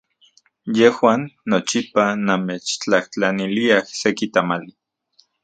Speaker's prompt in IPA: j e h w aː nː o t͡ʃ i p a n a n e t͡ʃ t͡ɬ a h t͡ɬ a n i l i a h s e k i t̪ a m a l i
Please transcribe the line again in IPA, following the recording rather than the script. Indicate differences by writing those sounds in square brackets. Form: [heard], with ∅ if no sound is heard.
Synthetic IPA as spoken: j e h w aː nː o t͡ʃ i p a n a [m] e t͡ʃ t͡ɬ a h t͡ɬ a n i l i a h s e k i t̪ a m a l i